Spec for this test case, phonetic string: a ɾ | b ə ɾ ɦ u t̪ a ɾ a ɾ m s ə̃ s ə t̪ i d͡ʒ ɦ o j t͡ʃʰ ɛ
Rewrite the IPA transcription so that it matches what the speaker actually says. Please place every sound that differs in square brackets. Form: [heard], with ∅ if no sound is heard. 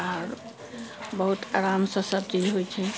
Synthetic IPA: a ɾ | b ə [∅] ɦ u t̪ a ɾ a [∅] m s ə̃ s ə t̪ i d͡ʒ ɦ o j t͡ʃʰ ɛ